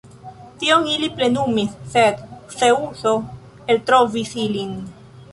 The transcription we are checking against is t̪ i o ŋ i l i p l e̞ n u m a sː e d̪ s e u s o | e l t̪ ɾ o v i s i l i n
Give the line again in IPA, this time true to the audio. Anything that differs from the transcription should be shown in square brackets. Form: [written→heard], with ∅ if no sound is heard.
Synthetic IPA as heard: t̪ i o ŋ i l i p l e̞ n u m [a→i] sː e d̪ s e u s o | e l t̪ ɾ o v i s i l i n